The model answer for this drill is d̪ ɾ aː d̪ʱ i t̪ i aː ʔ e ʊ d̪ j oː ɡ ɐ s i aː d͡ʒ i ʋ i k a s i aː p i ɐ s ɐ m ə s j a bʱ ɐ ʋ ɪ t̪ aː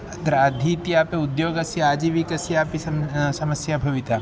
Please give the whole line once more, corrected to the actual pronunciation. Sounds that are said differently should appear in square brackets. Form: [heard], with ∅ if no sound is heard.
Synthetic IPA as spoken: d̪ ɾ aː d̪ʱ i t̪ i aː [p] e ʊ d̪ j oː ɡ ɐ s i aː d͡ʒ i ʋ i k [ɐ] s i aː p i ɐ s ɐ m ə s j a bʱ ɐ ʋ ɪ t̪ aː